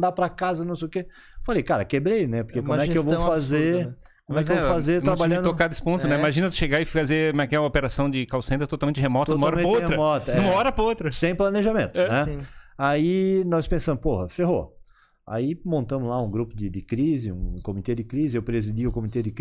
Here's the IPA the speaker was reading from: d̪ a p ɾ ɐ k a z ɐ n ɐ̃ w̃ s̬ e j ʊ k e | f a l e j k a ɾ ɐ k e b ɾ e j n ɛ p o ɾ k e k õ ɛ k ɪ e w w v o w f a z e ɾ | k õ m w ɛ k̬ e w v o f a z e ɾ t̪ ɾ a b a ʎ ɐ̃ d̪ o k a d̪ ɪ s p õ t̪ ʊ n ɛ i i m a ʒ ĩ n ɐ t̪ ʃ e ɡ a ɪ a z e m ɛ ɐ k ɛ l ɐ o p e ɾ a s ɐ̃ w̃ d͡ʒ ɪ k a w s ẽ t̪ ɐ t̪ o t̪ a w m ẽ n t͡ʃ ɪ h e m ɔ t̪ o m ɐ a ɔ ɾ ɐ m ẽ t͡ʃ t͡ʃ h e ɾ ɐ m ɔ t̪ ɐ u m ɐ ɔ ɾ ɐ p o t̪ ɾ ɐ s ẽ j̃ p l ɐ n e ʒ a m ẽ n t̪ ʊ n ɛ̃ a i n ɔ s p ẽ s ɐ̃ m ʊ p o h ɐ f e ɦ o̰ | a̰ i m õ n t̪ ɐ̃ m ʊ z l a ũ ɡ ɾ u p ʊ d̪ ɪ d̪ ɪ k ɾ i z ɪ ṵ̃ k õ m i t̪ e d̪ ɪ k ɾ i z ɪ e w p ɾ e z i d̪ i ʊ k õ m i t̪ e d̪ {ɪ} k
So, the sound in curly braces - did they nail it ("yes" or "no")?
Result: yes